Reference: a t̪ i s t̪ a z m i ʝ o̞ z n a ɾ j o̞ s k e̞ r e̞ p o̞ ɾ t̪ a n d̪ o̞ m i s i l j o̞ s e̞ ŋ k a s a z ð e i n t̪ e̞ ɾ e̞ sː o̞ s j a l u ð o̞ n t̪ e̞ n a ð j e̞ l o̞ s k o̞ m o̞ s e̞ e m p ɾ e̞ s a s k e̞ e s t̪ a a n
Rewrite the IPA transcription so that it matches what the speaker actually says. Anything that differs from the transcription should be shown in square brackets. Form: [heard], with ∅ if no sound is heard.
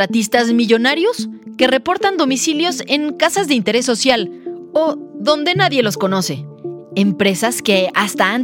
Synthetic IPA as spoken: a t̪ i s t̪ a z m i ʝ o̞ [∅] n a ɾ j o̞ s k e̞ r e̞ p o̞ ɾ t̪ a n d̪ o̞ m i s i l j o̞ s e̞ ŋ k a s a z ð e i n t̪ e̞ ɾ e̞ sː o̞ s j a l [o] ð o̞ n [d̪] e̞ n a ð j e̞ l o̞ s k o̞ [n] o̞ s e̞ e m p ɾ e̞ s a s k e̞ [a] s t̪ a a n